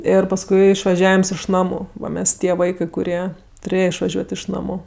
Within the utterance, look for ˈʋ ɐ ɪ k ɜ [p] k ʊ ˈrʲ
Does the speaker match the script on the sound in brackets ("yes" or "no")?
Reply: no